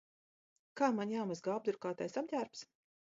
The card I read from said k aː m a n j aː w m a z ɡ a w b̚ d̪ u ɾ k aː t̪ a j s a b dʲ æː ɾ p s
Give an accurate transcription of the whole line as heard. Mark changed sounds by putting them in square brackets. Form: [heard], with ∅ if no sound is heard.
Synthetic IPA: k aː m a n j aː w m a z ɡ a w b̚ d̪ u ɾ k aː t̪ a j s a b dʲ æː ɾ p s